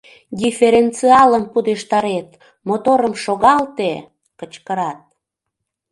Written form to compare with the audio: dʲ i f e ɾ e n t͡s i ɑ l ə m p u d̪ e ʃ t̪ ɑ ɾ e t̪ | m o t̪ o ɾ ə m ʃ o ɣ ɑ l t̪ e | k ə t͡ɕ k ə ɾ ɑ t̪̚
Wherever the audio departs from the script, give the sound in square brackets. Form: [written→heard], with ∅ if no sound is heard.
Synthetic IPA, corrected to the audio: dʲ i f e ɾ e n t͡s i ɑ l ə m p u d̪ e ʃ t̪ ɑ ɾ e t̪ | m o t̪ o ɾ ə m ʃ o ɣ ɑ l t̪ e | k ə t͡ɕ k ə ɾ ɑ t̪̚